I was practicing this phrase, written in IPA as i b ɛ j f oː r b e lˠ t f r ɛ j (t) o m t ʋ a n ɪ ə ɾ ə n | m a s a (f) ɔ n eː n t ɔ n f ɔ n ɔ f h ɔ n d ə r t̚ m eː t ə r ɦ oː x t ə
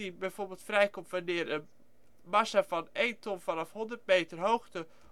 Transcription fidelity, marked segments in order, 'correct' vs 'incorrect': incorrect: k, correct

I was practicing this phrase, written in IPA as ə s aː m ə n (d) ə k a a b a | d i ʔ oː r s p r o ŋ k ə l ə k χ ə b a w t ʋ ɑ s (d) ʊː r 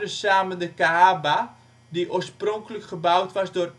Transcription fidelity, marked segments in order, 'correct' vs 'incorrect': correct, correct

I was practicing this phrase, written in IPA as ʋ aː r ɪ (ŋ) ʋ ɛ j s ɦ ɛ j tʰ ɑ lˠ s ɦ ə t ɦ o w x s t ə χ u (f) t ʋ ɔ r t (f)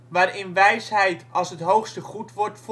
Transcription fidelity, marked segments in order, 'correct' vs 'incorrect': incorrect: n, incorrect: none, correct

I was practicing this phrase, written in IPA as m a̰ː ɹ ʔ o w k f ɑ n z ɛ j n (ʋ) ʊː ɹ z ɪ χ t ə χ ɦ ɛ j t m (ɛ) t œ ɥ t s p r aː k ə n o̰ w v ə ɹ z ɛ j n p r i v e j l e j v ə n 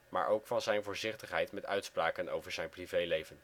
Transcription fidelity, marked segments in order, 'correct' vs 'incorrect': incorrect: v, correct

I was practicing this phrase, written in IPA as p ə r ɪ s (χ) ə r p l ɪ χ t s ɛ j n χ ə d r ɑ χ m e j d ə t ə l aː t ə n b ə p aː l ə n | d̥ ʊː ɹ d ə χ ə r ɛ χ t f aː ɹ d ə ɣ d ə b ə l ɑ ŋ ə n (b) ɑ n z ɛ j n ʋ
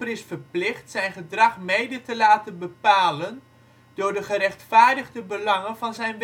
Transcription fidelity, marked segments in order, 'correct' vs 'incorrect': incorrect: f, incorrect: v

